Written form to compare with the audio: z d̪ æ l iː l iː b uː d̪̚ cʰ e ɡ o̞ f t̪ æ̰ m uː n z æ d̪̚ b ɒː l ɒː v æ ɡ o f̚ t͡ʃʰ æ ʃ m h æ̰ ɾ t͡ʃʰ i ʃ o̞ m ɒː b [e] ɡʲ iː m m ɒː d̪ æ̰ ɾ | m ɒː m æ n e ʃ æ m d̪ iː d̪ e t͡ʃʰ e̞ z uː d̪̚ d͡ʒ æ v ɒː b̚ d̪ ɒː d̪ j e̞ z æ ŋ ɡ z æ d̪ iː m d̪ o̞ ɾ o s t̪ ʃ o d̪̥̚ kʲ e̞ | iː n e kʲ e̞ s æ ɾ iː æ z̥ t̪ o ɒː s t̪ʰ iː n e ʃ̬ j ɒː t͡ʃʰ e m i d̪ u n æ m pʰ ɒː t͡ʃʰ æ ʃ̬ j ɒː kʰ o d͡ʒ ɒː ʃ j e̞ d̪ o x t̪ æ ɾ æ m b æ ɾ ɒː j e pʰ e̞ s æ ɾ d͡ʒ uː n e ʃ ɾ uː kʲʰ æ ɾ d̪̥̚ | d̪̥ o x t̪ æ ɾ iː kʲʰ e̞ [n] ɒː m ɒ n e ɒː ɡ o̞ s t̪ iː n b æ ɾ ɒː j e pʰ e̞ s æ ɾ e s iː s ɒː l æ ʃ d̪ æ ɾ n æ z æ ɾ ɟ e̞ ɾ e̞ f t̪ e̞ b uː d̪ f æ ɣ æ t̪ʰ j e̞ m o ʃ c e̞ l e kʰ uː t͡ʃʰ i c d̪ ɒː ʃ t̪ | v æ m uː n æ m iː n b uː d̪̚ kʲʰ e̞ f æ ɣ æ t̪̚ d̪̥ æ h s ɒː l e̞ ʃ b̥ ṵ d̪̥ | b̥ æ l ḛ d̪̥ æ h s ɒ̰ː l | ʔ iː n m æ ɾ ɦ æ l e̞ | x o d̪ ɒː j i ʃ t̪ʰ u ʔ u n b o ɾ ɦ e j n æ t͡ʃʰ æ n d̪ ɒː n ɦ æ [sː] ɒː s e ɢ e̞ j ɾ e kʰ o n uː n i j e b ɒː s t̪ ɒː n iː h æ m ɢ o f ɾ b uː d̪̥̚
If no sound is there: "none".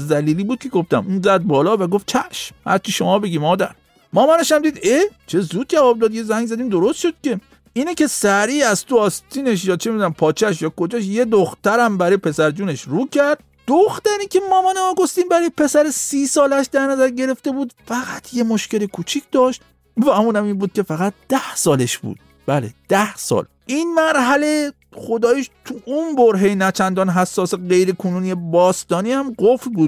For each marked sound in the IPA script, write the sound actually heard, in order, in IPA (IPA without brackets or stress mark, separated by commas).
e, m, sː